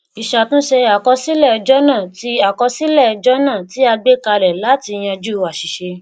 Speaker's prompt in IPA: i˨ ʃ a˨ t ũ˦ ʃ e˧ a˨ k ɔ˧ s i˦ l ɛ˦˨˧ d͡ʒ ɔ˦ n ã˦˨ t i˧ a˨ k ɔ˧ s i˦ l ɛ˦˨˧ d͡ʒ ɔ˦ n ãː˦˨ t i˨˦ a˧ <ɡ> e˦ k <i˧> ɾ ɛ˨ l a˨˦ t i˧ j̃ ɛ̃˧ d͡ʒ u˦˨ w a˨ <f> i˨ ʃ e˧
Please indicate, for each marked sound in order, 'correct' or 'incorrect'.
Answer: incorrect: ɡ͡b, incorrect: a˧, incorrect: ʃ

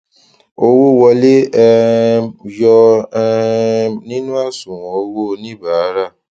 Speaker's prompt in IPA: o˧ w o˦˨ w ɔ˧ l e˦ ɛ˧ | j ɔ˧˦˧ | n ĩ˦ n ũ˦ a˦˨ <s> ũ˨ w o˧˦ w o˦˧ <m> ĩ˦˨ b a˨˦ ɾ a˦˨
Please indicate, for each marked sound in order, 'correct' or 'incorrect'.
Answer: correct, incorrect: n

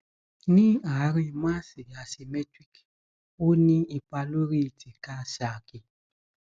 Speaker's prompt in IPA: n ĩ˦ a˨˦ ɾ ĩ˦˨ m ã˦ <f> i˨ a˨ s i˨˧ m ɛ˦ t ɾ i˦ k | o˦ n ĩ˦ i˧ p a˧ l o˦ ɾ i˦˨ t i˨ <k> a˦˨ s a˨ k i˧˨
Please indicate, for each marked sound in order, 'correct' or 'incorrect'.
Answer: incorrect: s, correct

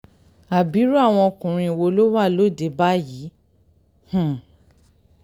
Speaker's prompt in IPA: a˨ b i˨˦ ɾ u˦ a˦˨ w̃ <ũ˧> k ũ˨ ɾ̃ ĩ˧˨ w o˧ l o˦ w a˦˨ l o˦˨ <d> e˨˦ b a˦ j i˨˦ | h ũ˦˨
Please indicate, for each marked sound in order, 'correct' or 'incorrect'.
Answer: incorrect: ɔ̃˧, correct

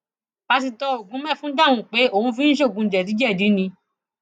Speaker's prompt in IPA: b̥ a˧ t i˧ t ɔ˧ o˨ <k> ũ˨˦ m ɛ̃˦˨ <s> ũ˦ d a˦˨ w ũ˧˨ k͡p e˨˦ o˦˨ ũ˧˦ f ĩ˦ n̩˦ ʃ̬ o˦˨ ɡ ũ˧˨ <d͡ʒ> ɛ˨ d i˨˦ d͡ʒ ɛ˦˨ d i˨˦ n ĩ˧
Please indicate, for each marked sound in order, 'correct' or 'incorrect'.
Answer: incorrect: ɡ, incorrect: f, correct

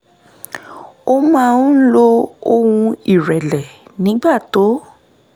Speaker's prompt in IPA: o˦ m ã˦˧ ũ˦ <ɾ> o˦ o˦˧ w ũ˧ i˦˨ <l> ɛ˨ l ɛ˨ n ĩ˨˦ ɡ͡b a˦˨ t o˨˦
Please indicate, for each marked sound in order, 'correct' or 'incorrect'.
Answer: incorrect: l, incorrect: ɾ

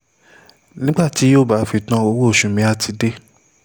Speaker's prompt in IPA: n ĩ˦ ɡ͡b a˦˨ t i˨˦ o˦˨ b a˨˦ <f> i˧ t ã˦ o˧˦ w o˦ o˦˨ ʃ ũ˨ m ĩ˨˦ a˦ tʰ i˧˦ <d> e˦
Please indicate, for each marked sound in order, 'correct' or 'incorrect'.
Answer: correct, correct

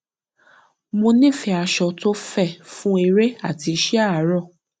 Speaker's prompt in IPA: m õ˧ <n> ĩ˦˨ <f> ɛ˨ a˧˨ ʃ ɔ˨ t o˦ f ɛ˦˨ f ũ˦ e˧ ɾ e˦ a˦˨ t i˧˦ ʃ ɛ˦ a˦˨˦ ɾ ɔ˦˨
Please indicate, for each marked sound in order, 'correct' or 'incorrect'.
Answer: correct, correct

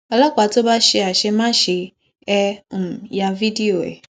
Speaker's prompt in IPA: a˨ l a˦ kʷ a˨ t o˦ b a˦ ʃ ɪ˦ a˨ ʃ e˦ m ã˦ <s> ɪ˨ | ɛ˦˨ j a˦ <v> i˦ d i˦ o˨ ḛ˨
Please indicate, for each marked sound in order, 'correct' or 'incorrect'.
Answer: incorrect: ʃ, correct

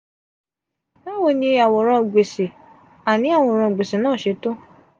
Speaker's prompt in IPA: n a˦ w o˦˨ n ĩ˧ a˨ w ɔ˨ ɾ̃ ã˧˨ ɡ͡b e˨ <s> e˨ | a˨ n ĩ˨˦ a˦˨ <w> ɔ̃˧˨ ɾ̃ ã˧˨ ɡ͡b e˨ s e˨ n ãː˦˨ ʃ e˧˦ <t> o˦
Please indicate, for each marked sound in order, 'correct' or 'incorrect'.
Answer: correct, correct, correct

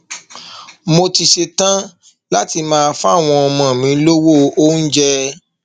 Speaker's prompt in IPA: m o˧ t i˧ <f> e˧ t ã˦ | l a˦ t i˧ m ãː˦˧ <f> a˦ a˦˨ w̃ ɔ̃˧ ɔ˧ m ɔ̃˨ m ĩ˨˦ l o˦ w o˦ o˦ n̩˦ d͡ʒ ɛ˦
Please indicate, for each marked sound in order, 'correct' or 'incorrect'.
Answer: incorrect: ʃ, correct

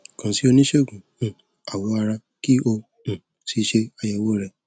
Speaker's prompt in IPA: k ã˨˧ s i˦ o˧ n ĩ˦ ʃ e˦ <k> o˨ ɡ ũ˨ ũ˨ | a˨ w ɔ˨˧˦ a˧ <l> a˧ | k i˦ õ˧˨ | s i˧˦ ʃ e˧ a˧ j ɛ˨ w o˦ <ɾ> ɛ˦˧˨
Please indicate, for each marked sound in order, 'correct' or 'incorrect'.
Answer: incorrect: none, incorrect: ɾ, correct

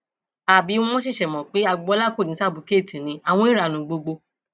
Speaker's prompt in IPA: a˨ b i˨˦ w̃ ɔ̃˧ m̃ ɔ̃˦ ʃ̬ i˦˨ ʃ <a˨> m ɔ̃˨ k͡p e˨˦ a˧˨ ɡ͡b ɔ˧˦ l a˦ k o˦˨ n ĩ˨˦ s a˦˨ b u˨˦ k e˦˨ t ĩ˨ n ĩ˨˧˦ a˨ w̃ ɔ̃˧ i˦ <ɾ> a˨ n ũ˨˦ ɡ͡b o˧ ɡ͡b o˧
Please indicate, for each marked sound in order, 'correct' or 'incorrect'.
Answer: incorrect: ɛ˨, correct

